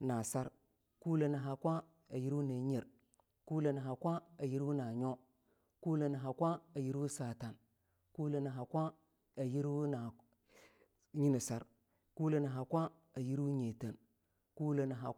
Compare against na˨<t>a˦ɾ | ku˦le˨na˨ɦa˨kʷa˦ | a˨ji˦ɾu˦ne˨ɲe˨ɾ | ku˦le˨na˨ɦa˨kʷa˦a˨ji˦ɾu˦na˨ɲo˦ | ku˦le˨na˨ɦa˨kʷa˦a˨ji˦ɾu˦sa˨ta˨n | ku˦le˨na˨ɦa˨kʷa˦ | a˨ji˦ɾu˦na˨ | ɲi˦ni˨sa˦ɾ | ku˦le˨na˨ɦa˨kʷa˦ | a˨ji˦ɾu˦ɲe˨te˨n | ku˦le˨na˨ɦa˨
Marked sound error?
yes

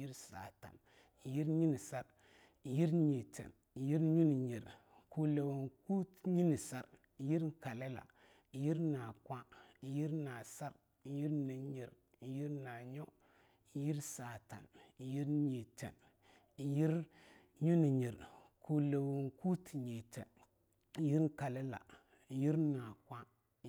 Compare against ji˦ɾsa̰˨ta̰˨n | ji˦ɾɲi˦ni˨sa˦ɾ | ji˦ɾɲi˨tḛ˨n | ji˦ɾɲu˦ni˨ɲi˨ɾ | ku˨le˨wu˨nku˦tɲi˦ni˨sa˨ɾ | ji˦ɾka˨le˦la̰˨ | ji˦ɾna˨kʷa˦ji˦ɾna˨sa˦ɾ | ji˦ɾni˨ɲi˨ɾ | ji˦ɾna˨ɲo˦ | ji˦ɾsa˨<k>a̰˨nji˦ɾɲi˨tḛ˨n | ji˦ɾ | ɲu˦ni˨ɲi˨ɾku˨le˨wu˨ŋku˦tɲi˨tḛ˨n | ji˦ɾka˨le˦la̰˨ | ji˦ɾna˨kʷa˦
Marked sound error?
yes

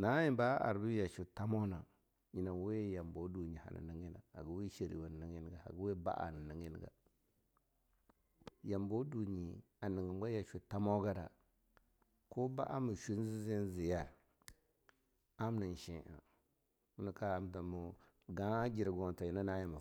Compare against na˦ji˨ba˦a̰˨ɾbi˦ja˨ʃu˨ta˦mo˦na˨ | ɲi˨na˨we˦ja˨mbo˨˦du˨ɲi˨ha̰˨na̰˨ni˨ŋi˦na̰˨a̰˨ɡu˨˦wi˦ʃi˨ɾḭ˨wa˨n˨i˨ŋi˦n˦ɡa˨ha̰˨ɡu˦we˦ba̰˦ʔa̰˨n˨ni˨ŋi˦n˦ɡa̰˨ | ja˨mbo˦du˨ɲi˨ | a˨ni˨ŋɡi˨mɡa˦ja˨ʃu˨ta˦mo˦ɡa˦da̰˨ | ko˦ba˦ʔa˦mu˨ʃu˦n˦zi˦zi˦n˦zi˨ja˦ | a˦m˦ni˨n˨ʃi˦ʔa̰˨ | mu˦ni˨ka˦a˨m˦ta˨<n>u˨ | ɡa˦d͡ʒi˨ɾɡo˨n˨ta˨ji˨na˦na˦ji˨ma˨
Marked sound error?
yes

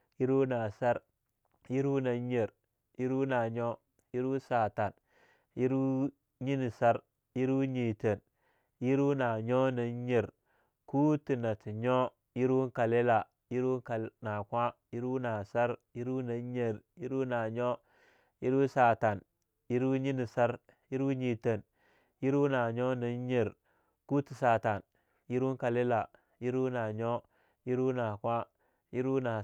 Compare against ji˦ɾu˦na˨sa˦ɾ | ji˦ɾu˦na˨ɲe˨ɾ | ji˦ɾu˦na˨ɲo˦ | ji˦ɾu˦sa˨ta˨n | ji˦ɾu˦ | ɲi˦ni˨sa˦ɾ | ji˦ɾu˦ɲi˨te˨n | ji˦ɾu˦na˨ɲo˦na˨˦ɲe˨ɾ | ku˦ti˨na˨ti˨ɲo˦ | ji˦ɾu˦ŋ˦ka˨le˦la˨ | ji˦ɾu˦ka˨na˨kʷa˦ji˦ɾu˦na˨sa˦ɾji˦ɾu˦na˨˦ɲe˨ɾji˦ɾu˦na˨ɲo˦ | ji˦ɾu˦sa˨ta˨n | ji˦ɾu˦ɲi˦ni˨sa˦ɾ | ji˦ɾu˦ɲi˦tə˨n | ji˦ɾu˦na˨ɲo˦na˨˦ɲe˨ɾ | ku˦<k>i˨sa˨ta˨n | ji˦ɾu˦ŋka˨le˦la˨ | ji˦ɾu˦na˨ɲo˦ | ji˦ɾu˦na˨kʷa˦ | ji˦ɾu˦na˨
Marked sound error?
yes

